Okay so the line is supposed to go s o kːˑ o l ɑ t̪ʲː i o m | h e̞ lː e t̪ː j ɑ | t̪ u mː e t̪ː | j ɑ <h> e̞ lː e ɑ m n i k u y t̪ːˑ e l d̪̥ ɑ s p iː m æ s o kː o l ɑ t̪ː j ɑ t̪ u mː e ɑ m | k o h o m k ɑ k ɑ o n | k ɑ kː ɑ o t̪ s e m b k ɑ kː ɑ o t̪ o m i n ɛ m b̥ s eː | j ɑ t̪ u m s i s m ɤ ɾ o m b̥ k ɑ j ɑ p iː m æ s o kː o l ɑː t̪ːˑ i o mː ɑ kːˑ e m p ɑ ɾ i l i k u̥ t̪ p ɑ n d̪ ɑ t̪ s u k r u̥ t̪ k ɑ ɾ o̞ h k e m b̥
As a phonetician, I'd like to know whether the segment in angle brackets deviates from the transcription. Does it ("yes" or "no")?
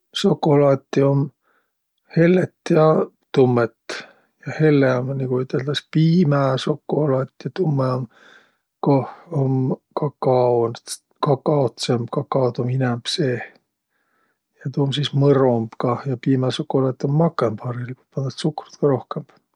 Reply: no